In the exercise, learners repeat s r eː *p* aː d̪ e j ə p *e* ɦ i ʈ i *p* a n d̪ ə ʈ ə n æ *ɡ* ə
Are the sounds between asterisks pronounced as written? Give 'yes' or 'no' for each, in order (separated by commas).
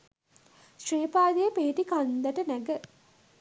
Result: yes, yes, no, yes